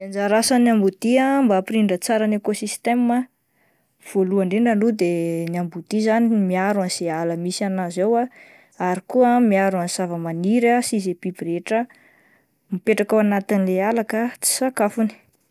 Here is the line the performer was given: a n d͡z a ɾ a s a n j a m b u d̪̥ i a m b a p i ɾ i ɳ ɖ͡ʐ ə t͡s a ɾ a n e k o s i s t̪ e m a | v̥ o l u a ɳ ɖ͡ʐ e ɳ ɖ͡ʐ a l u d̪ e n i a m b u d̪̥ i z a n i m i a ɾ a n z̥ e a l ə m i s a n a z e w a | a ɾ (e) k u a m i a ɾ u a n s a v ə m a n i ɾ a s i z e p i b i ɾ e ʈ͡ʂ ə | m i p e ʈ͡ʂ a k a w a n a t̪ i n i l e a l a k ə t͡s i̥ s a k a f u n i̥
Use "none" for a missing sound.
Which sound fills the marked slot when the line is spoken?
i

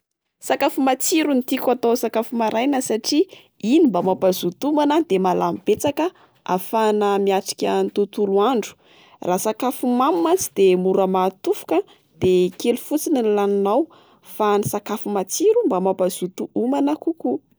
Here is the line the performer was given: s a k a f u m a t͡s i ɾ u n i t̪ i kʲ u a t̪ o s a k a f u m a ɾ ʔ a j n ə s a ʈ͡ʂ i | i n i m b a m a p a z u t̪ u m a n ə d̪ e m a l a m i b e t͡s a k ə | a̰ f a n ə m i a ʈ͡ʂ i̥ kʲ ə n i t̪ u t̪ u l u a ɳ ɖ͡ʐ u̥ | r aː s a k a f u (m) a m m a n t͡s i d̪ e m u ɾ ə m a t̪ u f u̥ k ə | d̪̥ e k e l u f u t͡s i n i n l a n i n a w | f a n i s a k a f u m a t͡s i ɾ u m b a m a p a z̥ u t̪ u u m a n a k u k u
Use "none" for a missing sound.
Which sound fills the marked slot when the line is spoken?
m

